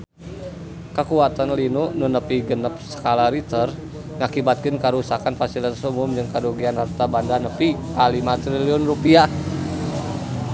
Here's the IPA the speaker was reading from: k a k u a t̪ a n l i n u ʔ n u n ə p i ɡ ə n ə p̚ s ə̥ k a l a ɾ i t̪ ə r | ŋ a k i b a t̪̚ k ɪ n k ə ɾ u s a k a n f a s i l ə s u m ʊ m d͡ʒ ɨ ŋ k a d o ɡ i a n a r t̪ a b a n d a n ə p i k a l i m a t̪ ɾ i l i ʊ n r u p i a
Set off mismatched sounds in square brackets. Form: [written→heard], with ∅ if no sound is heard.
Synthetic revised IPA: k [a→ə] k u a t̪ a n l i n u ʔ n u n ə p i ɡ ə n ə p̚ s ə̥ k a l a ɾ i t̪ ə r | ŋ a k i b a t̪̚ k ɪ n k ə ɾ u s a k a n f a s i l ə s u m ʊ m d͡ʒ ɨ ŋ k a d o ɡ i a n a r t̪ a b a n d a n ə p i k a l i m a t̪ ɾ i l i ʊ n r u p i a